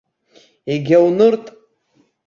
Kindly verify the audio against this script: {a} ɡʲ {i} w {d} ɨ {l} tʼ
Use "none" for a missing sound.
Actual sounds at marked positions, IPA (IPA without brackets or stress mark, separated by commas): e, a, n, r